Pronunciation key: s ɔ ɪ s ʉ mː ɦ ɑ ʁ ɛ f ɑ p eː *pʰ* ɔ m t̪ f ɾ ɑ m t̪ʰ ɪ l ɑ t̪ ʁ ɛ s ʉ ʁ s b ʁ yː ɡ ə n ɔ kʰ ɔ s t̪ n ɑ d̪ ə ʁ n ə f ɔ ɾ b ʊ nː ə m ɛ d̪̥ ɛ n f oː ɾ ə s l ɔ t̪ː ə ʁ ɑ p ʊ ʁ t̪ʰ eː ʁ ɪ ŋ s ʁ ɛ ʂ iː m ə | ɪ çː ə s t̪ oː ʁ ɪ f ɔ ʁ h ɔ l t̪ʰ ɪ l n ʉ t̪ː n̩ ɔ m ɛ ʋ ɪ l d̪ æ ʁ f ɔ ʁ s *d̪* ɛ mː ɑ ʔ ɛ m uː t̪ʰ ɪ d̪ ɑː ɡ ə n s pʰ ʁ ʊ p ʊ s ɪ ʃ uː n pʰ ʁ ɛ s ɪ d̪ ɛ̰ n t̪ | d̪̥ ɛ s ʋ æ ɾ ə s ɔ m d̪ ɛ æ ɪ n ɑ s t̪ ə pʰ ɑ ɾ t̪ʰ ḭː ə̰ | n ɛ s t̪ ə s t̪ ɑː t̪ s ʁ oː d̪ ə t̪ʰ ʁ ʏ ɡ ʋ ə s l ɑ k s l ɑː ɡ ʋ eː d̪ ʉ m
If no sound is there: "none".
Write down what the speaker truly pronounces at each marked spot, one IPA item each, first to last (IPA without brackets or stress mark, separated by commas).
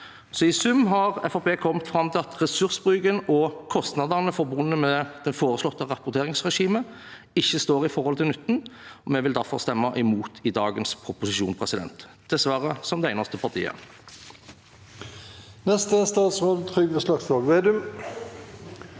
kʰ, t̪